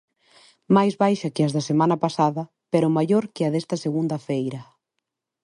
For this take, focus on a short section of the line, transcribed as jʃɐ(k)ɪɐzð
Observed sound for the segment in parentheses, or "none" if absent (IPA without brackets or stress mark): k